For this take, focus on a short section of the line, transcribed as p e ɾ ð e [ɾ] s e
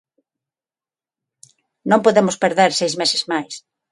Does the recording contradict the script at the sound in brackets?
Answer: no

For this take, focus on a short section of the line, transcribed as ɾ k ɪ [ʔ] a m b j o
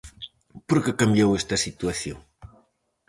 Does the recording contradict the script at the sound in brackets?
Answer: yes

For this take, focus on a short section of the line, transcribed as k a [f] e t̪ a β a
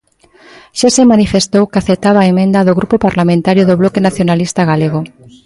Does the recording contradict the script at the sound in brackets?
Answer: yes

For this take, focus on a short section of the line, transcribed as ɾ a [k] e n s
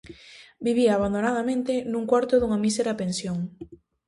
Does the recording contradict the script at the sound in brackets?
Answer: yes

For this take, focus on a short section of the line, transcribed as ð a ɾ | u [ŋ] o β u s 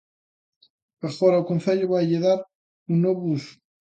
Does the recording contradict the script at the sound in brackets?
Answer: yes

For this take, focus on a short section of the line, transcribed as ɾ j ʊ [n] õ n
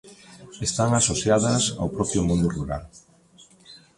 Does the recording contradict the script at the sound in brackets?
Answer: yes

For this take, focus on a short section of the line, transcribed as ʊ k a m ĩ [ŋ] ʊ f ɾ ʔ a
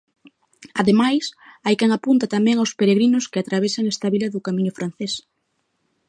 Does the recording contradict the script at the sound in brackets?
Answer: yes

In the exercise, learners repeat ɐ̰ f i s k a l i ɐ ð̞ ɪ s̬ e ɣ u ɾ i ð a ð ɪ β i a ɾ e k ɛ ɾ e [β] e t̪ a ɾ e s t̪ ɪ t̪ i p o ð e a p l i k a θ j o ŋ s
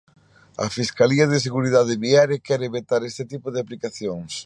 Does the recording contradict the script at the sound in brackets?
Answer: no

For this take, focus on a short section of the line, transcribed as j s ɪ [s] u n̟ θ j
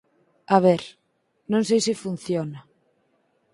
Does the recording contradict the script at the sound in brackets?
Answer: yes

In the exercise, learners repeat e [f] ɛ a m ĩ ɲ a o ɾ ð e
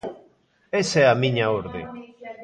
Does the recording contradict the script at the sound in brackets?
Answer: yes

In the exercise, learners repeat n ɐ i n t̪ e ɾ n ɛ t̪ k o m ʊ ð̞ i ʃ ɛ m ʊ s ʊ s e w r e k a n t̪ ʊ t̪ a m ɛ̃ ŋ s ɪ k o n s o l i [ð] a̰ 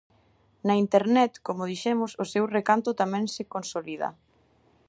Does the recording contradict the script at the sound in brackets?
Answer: no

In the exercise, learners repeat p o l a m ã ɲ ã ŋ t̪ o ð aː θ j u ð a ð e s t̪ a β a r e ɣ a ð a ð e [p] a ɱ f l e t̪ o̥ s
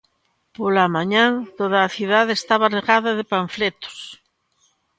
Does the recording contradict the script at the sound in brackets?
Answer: no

